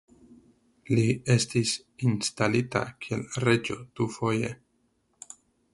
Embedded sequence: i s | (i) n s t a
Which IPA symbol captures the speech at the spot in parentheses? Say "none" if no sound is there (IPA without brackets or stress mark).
i